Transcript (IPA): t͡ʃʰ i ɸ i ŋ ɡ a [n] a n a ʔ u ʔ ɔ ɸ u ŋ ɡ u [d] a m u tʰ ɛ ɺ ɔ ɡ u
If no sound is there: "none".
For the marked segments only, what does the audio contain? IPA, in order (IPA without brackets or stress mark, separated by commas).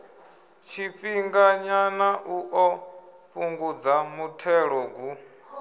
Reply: ɲ, d͡z